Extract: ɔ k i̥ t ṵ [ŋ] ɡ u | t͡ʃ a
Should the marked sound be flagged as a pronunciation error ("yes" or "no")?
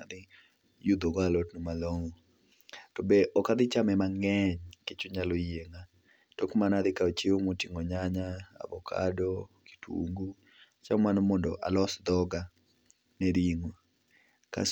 no